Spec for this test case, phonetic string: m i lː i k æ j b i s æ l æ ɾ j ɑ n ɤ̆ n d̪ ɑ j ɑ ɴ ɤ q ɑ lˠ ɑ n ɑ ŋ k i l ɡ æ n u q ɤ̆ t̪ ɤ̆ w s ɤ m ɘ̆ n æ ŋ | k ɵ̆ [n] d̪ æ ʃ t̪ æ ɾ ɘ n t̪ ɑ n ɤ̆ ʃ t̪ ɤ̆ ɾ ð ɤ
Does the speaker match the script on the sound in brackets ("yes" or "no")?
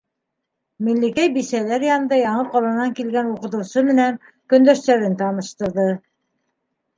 yes